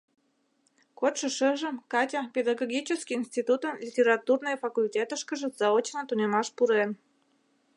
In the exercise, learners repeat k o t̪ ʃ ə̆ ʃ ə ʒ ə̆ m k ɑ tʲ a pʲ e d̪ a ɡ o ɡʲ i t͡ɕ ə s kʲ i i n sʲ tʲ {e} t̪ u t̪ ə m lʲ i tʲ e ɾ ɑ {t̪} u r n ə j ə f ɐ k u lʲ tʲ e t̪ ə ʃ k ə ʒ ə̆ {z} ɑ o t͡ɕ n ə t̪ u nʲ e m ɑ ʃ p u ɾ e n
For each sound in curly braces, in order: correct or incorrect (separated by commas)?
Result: incorrect, correct, correct